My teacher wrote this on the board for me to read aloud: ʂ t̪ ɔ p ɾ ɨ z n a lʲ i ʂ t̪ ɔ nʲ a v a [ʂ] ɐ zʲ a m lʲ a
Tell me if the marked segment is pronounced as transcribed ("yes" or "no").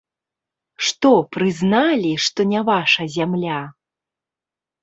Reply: yes